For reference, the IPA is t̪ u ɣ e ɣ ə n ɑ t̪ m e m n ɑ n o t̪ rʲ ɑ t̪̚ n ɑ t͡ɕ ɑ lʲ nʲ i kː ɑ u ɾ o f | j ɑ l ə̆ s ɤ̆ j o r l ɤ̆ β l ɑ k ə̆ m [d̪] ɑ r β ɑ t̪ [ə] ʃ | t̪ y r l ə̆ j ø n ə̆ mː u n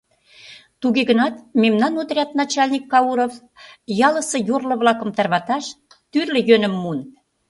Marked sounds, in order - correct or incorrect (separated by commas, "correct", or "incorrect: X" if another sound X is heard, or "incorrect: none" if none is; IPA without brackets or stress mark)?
incorrect: t̪, incorrect: ɑ